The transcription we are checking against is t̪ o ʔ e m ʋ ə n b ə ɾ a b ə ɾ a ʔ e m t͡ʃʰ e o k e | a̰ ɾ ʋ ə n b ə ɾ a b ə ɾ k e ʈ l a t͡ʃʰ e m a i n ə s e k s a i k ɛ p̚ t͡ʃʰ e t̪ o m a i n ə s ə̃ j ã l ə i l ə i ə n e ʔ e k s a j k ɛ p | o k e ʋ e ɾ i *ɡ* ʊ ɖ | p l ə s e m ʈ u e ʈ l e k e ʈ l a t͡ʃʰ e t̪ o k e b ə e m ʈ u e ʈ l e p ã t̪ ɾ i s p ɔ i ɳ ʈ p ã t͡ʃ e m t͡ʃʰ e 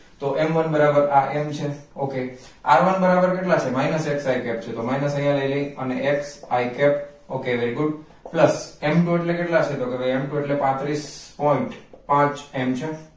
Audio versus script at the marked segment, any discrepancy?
no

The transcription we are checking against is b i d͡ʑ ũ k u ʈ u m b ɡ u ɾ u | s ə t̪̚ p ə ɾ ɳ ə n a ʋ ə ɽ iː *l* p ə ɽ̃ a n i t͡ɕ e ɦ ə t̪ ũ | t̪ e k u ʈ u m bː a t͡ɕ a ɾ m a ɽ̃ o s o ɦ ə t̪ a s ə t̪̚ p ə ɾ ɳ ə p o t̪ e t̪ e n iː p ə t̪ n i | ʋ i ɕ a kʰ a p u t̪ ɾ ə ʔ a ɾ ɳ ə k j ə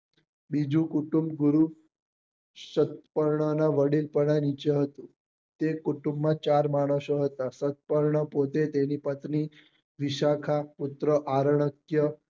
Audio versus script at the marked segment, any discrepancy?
no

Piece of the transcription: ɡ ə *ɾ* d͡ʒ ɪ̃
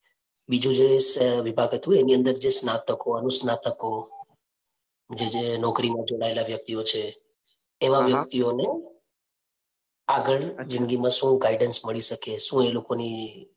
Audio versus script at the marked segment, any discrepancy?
yes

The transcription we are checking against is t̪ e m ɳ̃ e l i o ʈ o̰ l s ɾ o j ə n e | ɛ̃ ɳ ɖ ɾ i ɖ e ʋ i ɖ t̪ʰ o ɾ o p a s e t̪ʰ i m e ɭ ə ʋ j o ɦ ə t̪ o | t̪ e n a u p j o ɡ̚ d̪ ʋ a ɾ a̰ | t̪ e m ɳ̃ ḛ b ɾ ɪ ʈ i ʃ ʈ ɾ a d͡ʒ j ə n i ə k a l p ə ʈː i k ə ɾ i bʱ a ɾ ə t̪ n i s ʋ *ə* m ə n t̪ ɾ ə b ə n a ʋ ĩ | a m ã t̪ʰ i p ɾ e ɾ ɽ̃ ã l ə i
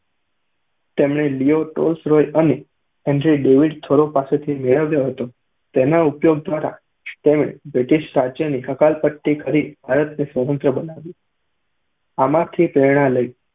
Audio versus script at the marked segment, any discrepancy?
no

